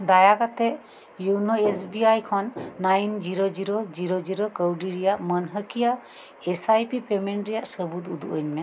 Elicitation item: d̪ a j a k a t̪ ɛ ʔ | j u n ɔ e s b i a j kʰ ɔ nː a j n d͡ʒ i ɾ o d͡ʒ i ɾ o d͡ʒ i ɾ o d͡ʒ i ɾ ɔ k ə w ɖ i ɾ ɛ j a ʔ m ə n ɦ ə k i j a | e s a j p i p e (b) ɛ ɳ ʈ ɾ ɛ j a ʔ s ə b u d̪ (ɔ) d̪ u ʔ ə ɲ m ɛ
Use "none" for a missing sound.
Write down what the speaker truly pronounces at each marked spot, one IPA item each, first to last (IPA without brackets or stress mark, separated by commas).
m, u